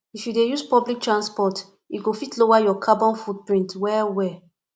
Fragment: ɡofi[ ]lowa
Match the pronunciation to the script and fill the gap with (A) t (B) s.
A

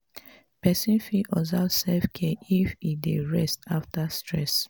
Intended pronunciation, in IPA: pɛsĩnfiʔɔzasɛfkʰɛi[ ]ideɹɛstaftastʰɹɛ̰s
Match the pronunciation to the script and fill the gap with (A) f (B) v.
A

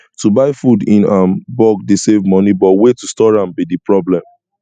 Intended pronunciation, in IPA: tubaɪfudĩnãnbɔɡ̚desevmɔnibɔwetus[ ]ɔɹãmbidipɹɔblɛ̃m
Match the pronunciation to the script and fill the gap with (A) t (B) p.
A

